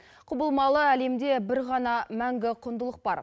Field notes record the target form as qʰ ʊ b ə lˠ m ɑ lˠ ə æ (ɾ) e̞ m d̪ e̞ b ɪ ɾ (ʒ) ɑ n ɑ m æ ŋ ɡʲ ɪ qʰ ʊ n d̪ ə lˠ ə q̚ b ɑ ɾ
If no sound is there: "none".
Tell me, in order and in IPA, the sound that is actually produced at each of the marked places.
l, ʁ

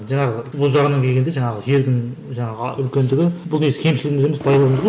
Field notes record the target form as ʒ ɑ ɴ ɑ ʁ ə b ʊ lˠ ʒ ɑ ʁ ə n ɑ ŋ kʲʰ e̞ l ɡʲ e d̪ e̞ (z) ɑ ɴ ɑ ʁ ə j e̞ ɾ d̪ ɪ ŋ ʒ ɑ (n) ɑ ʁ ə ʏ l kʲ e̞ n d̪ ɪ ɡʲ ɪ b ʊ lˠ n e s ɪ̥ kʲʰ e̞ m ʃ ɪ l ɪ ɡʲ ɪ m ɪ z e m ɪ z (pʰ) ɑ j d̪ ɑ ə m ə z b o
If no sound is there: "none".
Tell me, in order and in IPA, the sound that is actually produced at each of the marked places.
ʒ, ɴ, pʰ

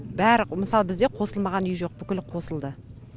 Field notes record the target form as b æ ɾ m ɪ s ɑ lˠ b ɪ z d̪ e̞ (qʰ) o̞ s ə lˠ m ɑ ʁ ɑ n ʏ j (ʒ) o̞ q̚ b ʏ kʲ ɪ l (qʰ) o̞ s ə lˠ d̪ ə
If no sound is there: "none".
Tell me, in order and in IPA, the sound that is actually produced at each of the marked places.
qʰ, ʒ, qʰ

